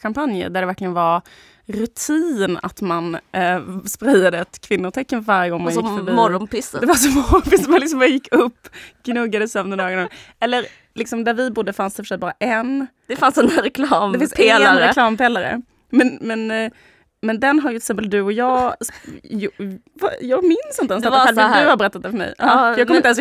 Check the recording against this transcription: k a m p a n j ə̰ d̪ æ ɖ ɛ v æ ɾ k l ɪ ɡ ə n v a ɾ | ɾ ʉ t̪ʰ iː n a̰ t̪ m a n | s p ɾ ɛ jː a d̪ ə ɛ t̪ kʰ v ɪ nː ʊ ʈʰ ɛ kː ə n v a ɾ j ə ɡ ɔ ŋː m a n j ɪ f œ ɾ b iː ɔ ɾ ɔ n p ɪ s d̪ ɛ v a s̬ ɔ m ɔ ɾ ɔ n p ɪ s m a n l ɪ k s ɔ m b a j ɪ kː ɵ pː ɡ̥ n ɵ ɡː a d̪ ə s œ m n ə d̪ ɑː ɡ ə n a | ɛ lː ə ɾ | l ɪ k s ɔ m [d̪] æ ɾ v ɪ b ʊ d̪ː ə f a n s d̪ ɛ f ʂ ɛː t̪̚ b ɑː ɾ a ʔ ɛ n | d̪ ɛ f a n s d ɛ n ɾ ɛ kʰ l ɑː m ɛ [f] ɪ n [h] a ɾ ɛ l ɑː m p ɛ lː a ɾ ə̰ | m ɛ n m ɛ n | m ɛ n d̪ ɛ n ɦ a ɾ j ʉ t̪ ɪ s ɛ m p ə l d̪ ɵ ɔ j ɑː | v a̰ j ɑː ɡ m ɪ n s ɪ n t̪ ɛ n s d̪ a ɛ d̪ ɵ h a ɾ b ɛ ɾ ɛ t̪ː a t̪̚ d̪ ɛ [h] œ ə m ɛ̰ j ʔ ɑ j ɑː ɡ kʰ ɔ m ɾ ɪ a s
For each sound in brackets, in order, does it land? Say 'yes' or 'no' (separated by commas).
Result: yes, yes, no, no